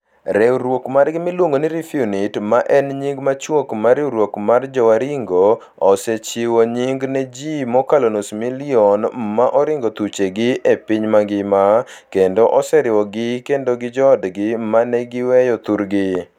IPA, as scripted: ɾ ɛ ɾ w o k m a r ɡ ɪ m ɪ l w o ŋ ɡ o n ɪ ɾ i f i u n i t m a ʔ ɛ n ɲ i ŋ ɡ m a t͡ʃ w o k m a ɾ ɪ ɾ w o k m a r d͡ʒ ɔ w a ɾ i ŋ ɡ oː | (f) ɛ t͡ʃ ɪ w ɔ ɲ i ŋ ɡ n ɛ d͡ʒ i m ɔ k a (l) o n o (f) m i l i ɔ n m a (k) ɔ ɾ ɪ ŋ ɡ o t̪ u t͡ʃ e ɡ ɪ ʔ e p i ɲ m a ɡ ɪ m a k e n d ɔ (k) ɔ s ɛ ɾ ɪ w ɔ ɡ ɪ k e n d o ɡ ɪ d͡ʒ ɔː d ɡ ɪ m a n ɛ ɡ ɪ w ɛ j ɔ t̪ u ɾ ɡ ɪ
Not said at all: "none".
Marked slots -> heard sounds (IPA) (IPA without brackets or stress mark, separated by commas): s, l, s, ʔ, ʔ